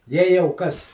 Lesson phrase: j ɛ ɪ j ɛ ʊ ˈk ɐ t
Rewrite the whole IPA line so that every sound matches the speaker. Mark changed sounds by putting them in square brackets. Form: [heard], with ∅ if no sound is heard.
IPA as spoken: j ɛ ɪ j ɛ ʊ ˈk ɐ [s]